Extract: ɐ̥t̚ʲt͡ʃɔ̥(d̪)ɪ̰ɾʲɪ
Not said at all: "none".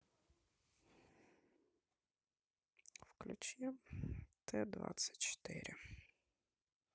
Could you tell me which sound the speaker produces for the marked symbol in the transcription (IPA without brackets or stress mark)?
t̪